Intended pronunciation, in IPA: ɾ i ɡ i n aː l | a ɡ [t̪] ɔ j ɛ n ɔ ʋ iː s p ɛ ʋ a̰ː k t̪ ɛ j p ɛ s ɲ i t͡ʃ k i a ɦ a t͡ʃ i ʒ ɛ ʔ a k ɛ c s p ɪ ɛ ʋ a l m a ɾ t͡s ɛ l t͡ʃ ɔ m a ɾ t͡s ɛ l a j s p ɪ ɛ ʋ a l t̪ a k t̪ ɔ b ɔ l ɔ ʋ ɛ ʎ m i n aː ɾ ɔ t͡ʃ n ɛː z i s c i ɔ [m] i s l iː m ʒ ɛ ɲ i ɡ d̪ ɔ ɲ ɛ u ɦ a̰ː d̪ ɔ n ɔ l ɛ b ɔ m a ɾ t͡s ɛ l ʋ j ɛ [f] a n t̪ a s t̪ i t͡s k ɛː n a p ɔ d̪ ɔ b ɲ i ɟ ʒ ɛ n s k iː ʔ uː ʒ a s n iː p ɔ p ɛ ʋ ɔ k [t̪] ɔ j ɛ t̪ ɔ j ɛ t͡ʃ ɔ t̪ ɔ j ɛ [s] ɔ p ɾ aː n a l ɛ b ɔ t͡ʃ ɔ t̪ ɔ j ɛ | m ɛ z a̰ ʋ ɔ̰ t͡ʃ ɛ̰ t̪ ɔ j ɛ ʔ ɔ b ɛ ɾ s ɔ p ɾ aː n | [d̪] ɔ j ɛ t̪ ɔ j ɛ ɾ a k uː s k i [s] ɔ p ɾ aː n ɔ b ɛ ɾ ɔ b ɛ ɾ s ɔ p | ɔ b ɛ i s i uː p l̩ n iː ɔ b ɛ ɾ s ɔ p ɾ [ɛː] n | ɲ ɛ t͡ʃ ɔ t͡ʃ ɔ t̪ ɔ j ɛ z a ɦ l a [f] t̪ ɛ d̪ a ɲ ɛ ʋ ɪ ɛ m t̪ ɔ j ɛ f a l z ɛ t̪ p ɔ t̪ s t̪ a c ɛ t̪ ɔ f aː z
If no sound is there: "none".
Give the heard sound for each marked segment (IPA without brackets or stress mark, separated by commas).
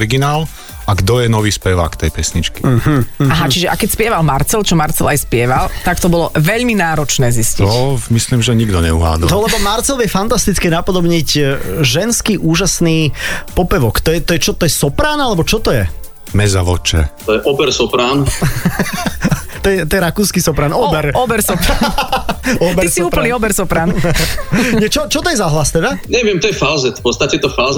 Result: d̪, m, f, t̪, s, t̪, s, aː, s